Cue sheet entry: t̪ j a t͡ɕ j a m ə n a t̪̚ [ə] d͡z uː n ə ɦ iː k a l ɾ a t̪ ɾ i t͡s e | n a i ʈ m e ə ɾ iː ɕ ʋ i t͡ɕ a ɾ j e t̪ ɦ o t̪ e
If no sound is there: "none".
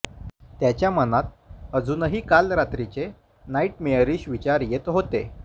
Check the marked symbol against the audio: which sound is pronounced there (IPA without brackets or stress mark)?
ə